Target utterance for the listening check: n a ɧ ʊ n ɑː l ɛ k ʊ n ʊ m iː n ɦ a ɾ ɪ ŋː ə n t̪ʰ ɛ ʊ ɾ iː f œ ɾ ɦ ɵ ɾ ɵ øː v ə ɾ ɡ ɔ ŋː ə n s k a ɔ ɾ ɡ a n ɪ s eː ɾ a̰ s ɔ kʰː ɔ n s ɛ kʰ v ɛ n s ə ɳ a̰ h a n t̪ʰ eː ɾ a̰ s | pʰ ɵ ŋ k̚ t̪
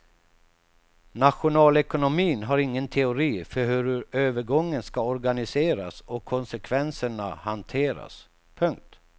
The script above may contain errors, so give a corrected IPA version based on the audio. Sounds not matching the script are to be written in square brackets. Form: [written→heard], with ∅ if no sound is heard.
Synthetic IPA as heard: n a ɧ ʊ n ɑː l ɛ k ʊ n ʊ m iː n ɦ a ɾ ɪ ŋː ə n t̪ʰ ɛ ʊ ɾ iː f œ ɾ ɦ ɵ ɾ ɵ øː v ə ɾ ɡ ɔ ŋː ə n s k a ɔ ɾ ɡ a n ɪ s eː ɾ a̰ s ɔ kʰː ɔ n s ɛ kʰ v ɛ n s ə ɳ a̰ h a n t̪ʰ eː ɾ a̰ s | pʰ ɵ ŋ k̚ t̪